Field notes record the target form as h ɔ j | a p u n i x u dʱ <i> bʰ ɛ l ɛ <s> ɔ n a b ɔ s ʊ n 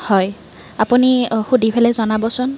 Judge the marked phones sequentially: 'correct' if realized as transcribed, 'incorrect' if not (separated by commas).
correct, incorrect